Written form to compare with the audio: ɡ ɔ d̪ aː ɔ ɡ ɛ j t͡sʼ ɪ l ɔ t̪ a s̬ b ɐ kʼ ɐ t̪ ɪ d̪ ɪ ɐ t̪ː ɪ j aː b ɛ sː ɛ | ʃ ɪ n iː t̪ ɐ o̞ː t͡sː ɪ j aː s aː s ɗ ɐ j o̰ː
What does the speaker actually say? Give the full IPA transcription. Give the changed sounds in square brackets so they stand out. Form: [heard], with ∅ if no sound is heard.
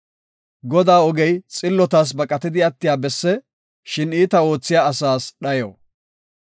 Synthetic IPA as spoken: ɡ ɔ d̪ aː ɔ ɡ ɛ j t͡sʼ ɪ [lː] ɔ t̪ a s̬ b ɐ kʼ ɐ t̪ ɪ d̪ ɪ ɐ t̪ː ɪ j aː b ɛ sː ɛ | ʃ ɪ n iː t̪ ɐ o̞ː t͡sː ɪ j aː s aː s ɗ ɐ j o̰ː